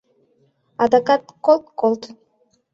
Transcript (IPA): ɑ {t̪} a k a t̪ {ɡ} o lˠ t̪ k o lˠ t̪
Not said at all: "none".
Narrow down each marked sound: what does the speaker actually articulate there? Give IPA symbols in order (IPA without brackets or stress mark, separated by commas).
d̪, k